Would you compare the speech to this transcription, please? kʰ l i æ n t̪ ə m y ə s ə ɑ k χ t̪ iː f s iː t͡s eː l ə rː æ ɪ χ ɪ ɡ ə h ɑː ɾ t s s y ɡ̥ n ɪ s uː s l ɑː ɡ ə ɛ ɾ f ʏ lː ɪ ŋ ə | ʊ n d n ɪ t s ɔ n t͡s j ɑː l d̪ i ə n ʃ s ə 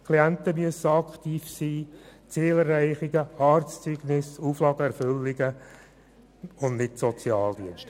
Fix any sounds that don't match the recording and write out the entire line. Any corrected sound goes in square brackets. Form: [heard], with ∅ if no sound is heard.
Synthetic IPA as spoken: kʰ l i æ n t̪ ə m y ə s ə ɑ k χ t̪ iː f s iː t͡s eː l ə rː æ ɪ χ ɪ ɡ ə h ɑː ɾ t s [t͡s] y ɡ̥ n ɪ s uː [f] l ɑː ɡ ə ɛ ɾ f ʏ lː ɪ [ɡ] ə | ʊ n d n ɪ t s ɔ [∅] t͡s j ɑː l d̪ i ə n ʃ [t] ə